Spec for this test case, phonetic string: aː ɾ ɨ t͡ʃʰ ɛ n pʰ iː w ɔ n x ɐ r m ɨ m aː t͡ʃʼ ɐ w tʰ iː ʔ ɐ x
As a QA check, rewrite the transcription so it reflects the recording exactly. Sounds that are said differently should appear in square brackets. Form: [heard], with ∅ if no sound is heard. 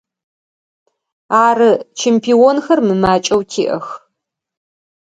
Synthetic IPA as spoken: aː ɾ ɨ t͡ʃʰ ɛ [m] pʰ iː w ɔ n x ɐ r m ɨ m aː t͡ʃʼ ɐ w tʰ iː ʔ ɐ x